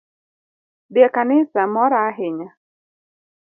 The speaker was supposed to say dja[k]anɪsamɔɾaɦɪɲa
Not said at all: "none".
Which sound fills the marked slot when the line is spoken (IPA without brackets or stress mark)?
k